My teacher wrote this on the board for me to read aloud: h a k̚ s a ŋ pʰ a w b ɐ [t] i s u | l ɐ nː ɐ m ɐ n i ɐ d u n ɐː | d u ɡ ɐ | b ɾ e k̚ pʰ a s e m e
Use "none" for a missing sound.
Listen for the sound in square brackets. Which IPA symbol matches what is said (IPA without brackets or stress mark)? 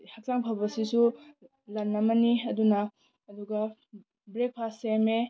s